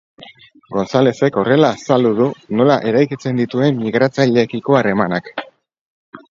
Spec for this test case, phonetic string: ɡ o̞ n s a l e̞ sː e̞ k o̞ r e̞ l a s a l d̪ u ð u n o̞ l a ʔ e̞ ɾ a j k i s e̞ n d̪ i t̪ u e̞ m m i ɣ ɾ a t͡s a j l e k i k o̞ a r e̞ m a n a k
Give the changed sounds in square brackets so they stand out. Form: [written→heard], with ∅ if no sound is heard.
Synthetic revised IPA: ɡ o̞ n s a l e̞ [sː→s] e̞ k o̞ r e̞ l a s a l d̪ u ð u n o̞ l a ʔ e̞ ɾ a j k i [s→t͡s] e̞ n d̪ i t̪ u e̞ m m i ɣ ɾ a t͡s a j [l→ʎ] e k i k o̞ a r e̞ m a n a k